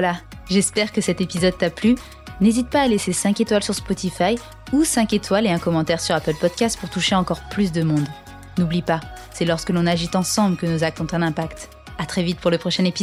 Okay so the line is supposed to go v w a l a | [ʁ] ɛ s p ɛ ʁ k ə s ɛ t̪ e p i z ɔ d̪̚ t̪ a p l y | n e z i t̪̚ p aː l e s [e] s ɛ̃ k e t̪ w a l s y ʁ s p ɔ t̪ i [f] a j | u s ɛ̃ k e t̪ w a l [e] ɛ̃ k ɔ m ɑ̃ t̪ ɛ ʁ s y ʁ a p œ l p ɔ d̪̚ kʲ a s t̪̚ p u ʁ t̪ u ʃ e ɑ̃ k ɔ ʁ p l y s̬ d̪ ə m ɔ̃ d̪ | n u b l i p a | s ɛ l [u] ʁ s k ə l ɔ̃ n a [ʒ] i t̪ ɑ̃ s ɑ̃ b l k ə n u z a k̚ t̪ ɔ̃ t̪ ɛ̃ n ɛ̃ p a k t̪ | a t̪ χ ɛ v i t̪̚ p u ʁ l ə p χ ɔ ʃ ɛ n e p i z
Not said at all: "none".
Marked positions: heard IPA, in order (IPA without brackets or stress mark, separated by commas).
ʒ, e, f, e, ɔ, ʒ